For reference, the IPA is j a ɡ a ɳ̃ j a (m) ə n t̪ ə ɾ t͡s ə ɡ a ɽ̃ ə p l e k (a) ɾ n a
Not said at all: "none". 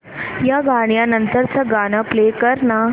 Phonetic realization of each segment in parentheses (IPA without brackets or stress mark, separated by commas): n, ə